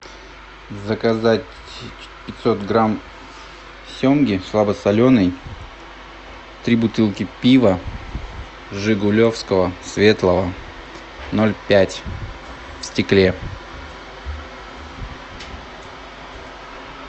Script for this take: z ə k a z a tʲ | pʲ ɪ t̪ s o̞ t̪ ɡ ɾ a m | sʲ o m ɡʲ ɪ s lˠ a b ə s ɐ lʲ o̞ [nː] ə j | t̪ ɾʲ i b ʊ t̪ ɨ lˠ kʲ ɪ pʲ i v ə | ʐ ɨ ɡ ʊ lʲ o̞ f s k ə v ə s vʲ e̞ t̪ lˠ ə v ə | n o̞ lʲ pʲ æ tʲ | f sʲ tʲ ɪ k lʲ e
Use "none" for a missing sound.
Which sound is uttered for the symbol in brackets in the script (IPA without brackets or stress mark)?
n